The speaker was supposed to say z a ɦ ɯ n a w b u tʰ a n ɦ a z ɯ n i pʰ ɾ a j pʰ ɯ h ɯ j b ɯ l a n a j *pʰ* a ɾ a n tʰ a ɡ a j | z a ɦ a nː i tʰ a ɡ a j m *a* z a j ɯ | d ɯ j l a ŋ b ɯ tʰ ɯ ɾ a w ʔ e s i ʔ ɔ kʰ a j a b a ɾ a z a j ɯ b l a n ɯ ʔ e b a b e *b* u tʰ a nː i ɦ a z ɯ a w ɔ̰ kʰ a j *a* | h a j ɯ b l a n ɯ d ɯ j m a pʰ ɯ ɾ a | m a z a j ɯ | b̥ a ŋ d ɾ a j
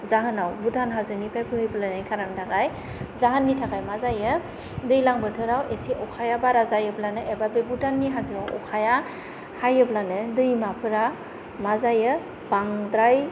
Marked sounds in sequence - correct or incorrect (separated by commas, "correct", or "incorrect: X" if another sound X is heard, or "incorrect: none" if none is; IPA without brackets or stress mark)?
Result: incorrect: kʰ, correct, correct, correct